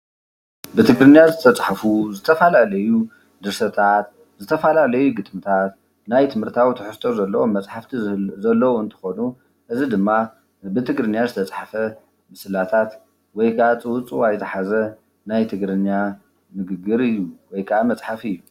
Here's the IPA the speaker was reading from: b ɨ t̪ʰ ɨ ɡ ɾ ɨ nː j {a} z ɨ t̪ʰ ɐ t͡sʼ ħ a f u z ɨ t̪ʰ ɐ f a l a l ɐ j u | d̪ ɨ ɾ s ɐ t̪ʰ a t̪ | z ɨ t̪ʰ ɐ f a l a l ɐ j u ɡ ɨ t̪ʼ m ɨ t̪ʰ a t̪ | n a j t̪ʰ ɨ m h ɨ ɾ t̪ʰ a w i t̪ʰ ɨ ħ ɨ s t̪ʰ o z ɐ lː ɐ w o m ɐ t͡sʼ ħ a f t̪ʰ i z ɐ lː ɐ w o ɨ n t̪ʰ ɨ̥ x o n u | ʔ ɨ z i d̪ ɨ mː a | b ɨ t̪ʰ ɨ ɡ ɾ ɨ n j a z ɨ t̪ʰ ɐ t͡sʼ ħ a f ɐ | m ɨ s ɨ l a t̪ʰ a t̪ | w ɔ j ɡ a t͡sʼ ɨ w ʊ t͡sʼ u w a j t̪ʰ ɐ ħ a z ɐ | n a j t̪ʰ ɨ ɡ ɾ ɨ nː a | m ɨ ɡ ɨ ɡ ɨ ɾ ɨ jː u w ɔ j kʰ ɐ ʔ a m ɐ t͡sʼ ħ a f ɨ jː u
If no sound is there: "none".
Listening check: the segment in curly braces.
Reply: a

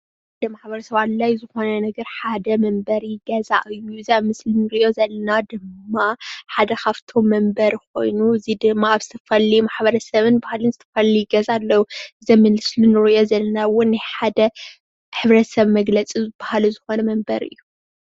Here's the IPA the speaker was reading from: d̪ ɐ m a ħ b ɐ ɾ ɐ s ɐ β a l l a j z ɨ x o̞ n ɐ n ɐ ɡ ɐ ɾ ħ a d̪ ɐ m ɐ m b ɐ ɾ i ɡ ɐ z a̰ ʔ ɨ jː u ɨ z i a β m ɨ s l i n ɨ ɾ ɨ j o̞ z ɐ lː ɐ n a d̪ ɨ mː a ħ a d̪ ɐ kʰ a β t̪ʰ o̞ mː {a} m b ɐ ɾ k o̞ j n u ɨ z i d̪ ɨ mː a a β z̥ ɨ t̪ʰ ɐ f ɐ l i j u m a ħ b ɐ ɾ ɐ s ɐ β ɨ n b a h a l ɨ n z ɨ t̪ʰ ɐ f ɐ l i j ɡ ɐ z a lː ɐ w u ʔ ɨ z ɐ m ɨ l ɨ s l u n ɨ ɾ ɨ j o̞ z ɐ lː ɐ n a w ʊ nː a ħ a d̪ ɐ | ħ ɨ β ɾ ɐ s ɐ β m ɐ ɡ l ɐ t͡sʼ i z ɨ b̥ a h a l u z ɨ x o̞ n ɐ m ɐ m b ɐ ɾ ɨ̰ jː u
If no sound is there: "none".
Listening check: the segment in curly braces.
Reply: ɐ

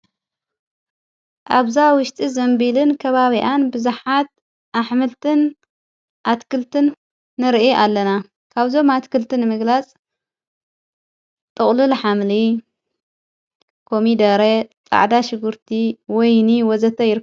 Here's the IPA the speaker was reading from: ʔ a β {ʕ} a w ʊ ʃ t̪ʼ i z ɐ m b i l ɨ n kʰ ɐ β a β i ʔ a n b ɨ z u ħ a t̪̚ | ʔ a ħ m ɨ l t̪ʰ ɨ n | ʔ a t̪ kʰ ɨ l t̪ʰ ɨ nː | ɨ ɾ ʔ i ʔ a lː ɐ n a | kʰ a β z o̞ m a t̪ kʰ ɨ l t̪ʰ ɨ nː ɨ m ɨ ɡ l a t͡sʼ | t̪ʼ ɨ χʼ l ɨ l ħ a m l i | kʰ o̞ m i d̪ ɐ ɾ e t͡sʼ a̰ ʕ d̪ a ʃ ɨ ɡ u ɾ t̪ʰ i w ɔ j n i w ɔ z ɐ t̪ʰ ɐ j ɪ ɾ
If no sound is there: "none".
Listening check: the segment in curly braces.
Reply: z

